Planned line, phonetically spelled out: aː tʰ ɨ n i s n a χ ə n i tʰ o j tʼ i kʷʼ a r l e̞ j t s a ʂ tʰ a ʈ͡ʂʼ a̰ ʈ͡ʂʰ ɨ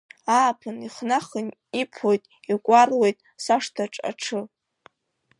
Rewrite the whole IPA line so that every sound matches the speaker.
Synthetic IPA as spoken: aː pʰ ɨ n i χ n a χ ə n i pʰ o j tʼ i kʷʼ a r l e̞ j tʼ s a ʂ tʰ a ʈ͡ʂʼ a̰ ʈ͡ʂʰ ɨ